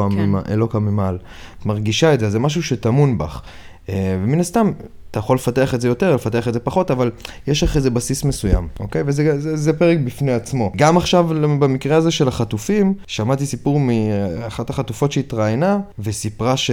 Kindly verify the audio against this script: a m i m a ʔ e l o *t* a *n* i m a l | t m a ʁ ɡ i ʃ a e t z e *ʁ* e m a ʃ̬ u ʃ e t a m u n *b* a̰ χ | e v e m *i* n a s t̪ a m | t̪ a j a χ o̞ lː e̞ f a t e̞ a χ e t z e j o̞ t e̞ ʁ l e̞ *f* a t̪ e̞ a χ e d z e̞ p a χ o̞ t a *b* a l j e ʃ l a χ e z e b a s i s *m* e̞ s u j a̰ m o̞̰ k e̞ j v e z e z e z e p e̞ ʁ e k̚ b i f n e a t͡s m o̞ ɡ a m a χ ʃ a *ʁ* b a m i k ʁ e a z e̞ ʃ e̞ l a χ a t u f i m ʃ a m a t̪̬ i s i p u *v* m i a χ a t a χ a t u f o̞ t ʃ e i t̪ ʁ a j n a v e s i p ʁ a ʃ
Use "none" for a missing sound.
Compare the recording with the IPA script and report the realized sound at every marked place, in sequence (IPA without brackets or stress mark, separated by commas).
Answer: k, m, z, b, i, f, v, m, v, ʁ